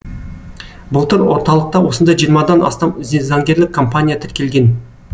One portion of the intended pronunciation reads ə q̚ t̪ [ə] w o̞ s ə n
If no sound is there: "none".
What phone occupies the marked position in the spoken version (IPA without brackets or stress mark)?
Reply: ɑ